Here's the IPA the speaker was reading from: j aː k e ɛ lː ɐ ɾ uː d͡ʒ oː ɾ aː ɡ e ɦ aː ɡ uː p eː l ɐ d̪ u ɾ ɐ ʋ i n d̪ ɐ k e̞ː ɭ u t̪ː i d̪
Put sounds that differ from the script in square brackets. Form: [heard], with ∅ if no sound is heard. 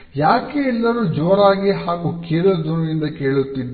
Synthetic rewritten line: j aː k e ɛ lː ɐ ɾ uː d͡ʒ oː ɾ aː ɡ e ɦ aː ɡ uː [k] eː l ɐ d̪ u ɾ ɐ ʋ i n d̪ ɐ k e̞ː ɭ u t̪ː i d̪